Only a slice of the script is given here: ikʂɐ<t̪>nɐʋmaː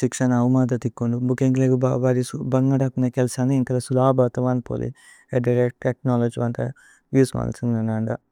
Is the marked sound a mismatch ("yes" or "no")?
yes